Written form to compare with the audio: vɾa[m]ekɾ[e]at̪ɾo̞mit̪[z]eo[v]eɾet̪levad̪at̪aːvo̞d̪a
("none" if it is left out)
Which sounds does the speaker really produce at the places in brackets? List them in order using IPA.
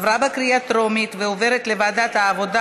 b, i, v, v

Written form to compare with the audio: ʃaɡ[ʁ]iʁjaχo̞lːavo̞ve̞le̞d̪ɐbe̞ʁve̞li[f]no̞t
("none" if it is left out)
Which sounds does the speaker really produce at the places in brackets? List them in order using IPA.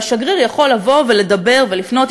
ʁ, f

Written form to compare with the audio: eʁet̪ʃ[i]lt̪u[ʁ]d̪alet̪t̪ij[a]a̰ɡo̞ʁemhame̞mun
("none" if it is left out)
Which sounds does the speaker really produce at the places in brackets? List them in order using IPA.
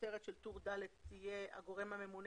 e, ʁ, e

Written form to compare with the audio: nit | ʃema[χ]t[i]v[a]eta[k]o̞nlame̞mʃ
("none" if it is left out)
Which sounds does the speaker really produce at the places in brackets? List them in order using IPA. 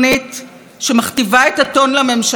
χ, i, a, t

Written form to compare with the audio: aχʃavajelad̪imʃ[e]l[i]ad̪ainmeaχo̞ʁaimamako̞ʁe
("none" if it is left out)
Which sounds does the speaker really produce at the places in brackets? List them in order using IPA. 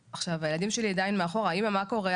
e, i

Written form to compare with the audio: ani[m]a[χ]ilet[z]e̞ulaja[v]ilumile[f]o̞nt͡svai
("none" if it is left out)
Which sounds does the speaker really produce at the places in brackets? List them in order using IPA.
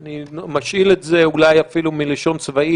m, ʃ, z, f, ʃ

